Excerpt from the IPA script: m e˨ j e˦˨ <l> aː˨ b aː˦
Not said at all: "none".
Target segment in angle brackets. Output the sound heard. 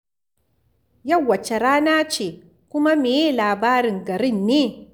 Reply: l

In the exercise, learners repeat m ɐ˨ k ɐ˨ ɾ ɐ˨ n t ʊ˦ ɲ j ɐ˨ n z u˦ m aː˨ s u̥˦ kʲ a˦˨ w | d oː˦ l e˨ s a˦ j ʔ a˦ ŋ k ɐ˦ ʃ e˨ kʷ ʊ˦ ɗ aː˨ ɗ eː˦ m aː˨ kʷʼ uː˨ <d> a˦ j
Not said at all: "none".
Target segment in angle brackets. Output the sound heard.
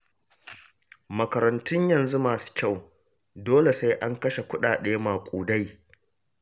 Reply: d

